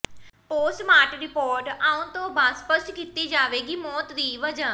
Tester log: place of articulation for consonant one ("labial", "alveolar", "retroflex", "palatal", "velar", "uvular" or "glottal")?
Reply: labial